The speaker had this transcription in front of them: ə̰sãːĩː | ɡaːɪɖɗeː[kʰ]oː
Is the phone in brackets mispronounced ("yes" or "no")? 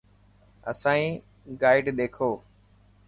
no